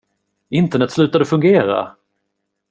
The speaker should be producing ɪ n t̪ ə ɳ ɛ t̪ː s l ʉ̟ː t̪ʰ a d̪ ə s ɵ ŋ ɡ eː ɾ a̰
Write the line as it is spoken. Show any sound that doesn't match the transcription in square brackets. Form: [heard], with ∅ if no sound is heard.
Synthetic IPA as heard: ɪ n t̪ ə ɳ ɛ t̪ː s l ʉ̟ː [t̪] a d̪ ə [f] ɵ ŋ ɡ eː ɾ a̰